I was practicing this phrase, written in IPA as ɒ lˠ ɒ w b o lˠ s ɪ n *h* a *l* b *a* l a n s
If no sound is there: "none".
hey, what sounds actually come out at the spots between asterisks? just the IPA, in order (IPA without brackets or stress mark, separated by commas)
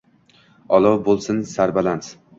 s, ɾ, a